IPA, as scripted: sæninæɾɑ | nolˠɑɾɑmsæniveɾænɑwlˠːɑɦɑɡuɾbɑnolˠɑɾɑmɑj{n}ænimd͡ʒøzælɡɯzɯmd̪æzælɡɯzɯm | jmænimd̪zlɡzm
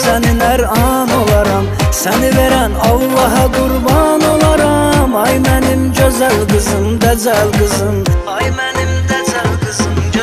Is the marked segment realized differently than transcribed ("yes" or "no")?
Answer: yes